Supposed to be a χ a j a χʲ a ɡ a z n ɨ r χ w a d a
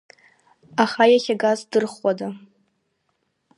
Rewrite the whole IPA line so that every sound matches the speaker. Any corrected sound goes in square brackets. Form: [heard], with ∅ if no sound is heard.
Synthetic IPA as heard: a χ a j a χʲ a ɡ a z [d] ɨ r χ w a d a